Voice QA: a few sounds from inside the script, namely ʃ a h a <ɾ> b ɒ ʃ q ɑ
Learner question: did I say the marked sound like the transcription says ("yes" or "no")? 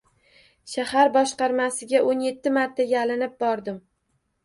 yes